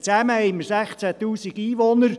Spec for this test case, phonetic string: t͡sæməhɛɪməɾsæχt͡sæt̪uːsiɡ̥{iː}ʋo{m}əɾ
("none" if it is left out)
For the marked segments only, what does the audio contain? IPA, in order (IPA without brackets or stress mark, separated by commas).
iː, n